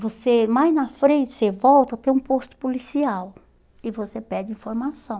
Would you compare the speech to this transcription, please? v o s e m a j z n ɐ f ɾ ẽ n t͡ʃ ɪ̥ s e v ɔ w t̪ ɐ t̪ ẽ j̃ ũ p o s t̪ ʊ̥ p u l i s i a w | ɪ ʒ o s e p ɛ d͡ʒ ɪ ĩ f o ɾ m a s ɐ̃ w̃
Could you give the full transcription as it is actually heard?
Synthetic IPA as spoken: v o s e m a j z n ɐ f ɾ ẽ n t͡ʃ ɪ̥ s e v ɔ w t̪ ɐ t̪ ẽ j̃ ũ p o s t̪ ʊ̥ p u l i s i a w | ɪ v o s e p ɛ d͡ʒ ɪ ĩ f o ɾ m a s ɐ̃ w̃